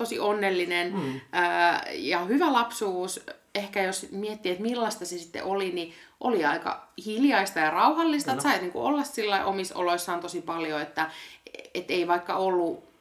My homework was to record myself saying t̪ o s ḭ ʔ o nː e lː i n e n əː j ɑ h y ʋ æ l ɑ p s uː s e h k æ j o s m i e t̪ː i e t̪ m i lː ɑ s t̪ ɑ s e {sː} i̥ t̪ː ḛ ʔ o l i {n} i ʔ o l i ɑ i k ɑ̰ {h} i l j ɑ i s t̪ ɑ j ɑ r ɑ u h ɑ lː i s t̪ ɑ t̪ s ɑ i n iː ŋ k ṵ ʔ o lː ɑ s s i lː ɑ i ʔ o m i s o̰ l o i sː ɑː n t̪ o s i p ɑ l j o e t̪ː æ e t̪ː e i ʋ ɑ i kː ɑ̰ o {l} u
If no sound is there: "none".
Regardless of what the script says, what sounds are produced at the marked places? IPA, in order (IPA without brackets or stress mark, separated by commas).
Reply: s, n, h, lː